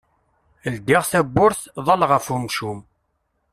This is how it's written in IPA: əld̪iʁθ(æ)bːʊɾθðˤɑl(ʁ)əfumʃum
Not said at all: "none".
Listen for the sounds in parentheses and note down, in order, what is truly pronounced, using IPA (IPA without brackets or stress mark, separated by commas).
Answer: æ, ʁ